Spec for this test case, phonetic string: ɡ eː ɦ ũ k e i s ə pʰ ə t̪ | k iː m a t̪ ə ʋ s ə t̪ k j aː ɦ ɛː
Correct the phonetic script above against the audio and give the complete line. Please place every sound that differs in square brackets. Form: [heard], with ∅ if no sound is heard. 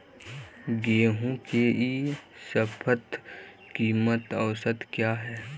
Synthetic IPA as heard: ɡ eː ɦ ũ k e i s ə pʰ ə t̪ | k iː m [ə] t̪ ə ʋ s ə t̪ k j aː ɦ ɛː